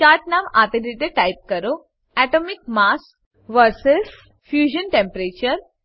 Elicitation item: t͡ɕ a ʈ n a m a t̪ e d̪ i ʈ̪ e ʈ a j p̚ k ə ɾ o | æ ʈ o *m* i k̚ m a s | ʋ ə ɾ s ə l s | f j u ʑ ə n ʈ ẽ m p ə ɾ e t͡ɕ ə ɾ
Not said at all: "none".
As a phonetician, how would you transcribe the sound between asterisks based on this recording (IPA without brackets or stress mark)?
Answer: m